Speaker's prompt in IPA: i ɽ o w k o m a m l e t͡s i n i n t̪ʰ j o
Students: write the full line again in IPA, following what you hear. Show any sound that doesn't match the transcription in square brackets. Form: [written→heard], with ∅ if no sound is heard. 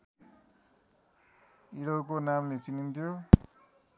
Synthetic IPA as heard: i ɽ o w k o [m→n] a m l e t͡s i n i n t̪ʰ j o